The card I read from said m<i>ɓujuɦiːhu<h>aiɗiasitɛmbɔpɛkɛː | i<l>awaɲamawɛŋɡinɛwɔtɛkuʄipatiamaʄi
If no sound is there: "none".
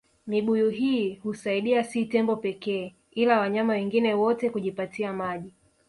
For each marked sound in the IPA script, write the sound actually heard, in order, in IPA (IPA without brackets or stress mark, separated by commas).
i, s, l